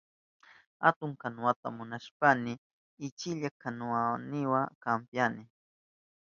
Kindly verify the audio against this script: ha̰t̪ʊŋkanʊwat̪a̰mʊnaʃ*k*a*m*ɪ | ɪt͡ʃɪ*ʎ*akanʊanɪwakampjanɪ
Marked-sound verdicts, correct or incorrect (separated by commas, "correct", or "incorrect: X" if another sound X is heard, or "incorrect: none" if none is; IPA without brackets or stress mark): incorrect: p, incorrect: n, correct